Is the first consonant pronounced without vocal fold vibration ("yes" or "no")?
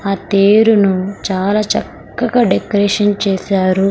yes